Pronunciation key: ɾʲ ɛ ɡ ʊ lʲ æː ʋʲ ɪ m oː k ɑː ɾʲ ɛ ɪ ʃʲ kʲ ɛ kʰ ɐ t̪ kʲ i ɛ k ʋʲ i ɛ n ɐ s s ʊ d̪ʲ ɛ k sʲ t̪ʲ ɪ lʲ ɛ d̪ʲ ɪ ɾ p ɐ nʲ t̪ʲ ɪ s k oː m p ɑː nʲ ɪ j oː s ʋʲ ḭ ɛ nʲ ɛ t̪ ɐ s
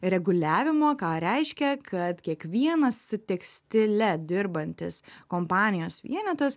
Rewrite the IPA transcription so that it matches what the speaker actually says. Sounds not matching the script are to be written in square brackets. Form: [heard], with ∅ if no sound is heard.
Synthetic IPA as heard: ɾʲ ɛ ɡ ʊ lʲ æː ʋʲ ɪ m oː k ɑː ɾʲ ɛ ɪ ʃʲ kʲ ɛ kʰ ɐ t̪ kʲ i ɛ k ʋʲ i ɛ n ɐ s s ʊ [t̪ʲ] ɛ k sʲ t̪ʲ ɪ lʲ ɛ d̪ʲ ɪ ɾ [b] ɐ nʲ t̪ʲ ɪ s k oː m p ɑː nʲ ɪ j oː s ʋʲ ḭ ɛ nʲ ɛ t̪ ɐ s